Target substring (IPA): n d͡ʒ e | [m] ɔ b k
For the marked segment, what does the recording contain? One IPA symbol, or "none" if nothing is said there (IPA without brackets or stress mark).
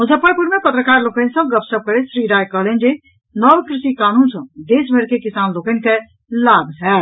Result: n